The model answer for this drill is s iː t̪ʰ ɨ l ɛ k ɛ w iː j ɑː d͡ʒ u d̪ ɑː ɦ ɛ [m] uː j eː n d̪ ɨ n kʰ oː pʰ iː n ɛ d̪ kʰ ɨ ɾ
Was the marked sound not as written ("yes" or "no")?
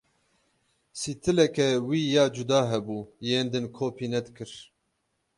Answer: yes